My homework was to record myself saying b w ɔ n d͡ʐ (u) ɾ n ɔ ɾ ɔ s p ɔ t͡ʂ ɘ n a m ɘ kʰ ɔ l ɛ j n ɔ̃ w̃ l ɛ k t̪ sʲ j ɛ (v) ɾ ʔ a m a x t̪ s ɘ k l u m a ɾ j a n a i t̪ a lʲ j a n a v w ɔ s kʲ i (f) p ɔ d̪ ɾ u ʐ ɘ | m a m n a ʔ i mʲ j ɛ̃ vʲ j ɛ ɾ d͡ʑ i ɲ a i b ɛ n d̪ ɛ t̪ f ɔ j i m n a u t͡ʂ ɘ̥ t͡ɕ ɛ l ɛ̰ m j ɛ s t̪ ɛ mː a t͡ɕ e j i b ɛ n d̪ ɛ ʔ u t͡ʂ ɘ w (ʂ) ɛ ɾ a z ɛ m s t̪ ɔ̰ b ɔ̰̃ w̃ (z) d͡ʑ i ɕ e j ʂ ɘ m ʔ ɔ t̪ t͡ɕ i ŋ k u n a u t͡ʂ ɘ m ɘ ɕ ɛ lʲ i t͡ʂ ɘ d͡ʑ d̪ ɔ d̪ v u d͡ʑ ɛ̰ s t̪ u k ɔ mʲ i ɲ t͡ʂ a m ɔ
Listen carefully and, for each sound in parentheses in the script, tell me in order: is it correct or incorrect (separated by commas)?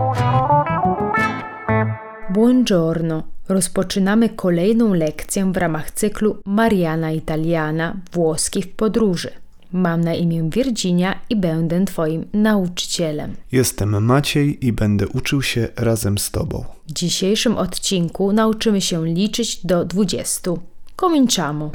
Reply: incorrect, correct, correct, incorrect, incorrect